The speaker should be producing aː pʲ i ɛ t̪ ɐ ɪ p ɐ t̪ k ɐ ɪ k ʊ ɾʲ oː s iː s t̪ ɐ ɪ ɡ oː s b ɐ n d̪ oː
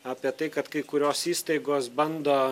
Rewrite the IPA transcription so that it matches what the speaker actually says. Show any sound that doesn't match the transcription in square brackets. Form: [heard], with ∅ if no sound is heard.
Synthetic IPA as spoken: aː pʲ i ɛ t̪ ɐ ɪ [k] ɐ t̪ k ɐ ɪ k ʊ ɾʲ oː s iː s t̪ ɐ ɪ ɡ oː s b ɐ n d̪ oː